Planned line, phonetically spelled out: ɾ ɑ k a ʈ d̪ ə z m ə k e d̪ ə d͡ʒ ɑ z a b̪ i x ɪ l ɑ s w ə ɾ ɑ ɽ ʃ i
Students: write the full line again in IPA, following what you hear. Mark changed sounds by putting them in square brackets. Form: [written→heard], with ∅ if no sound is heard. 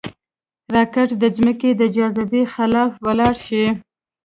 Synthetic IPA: ɾ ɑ k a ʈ d̪ ə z m ə k e d̪ ə d͡ʒ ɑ z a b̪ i x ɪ l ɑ [s→f] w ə [ɾ→l] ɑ ɽ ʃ i